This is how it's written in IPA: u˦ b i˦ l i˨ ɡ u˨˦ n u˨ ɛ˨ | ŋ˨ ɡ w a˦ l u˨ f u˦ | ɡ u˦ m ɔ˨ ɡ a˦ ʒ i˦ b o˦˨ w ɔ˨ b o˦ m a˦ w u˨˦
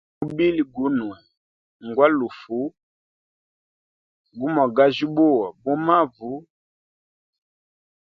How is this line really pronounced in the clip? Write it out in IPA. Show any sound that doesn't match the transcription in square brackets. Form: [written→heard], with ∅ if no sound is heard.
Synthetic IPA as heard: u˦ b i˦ l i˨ ɡ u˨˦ n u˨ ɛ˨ | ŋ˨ ɡ w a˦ l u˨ f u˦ | ɡ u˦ m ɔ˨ ɡ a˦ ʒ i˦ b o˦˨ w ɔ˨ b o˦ m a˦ [w→v] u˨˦

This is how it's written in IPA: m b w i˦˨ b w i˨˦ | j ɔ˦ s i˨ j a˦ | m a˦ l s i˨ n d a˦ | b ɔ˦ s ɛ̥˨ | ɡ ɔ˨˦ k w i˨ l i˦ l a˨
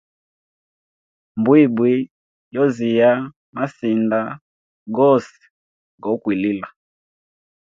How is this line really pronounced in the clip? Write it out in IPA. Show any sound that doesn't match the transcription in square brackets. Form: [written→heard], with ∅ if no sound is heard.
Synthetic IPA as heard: m b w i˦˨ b w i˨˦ | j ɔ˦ [s→z] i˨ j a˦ | m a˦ [l→∅] s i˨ n d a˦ | [b→ɡ] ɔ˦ s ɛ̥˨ | ɡ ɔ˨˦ k w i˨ l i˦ l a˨

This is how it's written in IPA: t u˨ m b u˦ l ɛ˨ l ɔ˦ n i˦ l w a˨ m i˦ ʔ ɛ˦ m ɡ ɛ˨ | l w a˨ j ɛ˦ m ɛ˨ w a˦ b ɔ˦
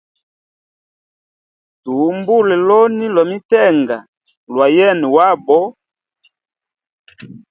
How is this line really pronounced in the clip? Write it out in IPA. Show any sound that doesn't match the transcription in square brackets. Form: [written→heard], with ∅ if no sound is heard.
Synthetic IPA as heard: t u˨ m b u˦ l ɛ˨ l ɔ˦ n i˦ l w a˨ m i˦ [ʔ→t] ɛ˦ [m→ŋ] ɡ [ɛ˨→a˨] | l w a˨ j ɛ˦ [m→n] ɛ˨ w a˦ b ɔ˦

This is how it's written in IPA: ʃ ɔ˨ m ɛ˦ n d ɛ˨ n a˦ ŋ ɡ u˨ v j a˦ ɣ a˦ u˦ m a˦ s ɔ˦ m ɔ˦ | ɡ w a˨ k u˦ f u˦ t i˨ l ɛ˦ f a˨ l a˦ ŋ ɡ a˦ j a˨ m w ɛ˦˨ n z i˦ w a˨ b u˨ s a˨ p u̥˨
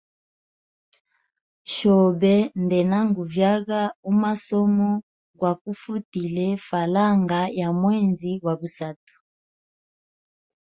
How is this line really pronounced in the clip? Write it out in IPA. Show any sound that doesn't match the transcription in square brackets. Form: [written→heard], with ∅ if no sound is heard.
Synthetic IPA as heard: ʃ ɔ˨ [m→b] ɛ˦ n d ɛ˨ n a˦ ŋ ɡ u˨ v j a˦ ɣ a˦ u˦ m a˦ s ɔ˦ m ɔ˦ | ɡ w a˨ k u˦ f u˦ t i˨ l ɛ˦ f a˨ l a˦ ŋ ɡ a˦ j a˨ m w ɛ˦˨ n z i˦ w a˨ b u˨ s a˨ [p→t] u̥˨

